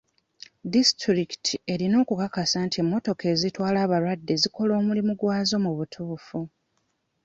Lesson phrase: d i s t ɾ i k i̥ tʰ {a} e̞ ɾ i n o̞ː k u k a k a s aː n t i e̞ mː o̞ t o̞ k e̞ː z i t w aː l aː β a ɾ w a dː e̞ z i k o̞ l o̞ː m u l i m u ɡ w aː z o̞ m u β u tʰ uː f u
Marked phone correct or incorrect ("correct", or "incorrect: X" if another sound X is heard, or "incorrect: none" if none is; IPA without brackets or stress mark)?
incorrect: i